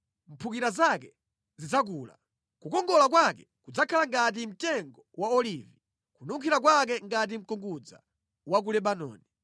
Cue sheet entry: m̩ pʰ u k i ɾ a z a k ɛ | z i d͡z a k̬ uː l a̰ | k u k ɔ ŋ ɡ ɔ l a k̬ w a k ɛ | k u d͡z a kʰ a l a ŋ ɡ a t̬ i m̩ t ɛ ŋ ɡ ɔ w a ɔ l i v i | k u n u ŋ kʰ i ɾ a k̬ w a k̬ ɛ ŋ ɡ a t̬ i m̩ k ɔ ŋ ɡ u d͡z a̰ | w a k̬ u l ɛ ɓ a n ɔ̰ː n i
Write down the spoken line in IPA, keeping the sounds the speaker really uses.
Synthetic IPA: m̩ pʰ u k i ɾ a z a k ɛ | z i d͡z a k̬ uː l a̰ | k u k ɔ ŋ ɡ ɔ l a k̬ w a k ɛ | k u d͡z a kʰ a l a ŋ ɡ a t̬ i m̩ t ɛ ŋ ɡ ɔ w a ɔ l i v i | k u n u ŋ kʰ i ɾ a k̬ w a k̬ ɛ ŋ ɡ a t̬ i m̩ k ɔ ŋ ɡ u d͡z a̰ | w a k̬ u l ɛ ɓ a n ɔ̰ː n i